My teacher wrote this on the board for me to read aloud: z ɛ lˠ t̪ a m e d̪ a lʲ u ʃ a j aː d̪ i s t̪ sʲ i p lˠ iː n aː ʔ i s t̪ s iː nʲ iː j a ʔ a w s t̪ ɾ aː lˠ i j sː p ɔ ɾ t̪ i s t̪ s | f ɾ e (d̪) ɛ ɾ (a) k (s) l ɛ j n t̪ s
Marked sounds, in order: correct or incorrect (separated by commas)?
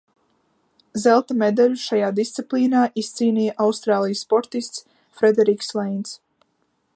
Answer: correct, incorrect, correct